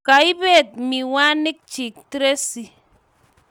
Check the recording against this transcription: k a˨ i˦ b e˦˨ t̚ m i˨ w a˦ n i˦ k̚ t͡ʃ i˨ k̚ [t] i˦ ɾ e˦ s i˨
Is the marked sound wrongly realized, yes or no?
no